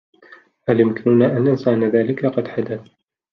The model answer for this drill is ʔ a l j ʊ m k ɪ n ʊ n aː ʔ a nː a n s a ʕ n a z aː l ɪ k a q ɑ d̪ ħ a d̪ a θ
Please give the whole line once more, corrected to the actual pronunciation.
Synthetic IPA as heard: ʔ a l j ʊ m k ɪ n ʊ n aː ʔ a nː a n s a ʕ n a ð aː l ɪ k a q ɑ d̪ ħ a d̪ a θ